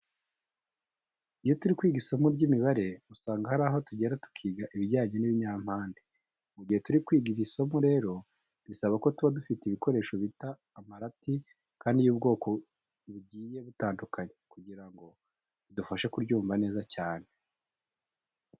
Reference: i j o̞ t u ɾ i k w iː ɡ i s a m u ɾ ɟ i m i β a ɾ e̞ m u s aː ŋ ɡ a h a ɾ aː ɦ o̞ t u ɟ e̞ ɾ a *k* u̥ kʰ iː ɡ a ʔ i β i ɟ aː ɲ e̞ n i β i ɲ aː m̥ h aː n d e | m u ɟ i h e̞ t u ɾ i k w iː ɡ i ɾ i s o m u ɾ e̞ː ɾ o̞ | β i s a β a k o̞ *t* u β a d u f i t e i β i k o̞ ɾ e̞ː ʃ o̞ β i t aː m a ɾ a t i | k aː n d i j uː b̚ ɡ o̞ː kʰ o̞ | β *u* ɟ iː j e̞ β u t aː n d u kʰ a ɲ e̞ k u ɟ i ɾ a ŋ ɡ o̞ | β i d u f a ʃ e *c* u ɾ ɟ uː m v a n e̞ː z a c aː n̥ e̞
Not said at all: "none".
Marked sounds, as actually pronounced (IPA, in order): t, t, u, k

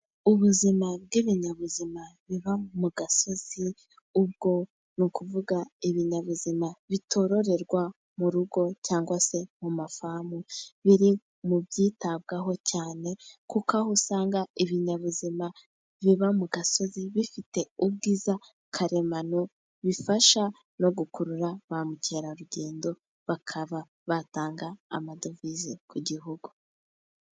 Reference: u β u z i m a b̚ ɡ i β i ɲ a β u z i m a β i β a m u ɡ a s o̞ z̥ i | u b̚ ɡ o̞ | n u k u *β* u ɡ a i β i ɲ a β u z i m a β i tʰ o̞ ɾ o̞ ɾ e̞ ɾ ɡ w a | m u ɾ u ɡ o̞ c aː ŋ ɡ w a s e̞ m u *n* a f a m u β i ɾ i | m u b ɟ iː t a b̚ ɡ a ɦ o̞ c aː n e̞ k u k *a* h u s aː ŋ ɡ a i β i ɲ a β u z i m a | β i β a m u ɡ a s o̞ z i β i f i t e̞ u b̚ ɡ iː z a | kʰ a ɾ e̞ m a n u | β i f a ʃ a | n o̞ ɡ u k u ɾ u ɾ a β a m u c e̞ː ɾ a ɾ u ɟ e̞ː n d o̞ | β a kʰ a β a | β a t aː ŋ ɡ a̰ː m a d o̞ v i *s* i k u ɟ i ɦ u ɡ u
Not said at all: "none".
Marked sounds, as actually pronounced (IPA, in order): v, m, a, z

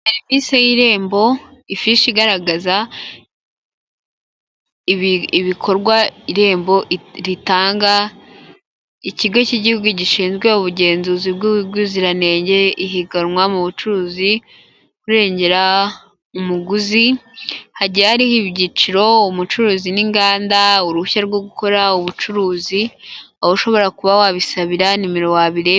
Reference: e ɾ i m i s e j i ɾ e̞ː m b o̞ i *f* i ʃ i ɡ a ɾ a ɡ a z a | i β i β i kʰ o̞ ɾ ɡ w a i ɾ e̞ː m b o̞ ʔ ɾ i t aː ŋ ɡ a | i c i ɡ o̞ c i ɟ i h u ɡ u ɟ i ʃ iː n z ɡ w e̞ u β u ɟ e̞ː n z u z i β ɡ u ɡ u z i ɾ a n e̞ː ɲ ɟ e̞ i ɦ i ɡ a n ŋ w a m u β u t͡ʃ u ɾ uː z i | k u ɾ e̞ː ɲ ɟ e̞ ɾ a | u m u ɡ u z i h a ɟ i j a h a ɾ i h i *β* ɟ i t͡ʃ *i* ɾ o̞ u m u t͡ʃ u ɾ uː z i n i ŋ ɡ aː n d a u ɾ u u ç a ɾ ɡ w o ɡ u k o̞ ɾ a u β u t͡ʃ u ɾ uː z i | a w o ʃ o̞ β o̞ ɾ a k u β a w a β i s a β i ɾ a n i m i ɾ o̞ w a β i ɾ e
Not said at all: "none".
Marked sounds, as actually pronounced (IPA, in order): f, β, i

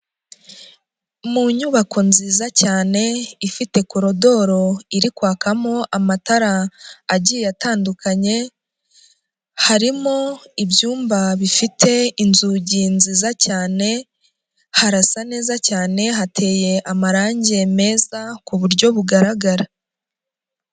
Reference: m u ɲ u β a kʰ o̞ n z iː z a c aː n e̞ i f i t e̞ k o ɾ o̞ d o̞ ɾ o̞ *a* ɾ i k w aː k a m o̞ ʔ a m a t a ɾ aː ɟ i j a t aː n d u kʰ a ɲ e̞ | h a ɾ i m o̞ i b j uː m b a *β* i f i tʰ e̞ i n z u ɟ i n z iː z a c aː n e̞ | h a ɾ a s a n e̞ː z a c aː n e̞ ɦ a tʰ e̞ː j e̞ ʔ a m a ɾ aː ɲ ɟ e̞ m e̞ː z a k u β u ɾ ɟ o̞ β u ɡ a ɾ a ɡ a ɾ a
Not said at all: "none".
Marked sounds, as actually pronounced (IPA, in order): i, β

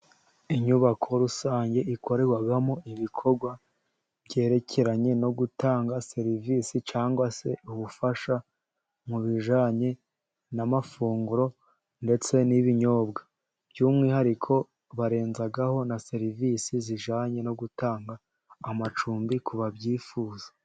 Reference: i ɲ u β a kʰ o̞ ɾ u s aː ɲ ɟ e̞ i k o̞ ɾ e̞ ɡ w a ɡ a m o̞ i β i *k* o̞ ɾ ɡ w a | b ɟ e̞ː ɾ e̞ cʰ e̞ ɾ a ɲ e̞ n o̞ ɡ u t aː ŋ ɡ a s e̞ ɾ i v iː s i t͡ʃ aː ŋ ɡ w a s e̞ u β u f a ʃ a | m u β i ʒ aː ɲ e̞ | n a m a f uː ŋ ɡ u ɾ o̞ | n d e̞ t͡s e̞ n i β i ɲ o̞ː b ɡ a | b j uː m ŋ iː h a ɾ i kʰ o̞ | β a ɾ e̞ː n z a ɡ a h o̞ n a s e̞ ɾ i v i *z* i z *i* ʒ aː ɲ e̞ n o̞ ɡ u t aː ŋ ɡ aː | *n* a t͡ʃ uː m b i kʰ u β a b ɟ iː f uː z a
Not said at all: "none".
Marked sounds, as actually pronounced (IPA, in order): kʰ, s, i, m

